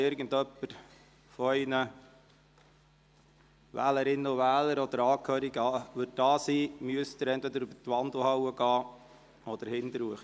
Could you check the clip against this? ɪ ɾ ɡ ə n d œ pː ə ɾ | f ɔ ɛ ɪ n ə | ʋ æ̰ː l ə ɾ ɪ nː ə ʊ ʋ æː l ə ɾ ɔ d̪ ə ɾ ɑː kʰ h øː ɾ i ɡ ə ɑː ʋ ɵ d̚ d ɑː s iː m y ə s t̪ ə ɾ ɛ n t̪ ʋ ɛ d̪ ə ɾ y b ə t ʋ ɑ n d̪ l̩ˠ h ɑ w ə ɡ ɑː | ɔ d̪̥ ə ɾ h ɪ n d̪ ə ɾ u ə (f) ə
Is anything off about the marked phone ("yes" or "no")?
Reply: yes